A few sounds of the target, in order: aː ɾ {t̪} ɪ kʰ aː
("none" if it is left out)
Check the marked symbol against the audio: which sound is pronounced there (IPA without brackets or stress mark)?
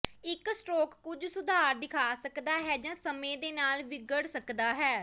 d̪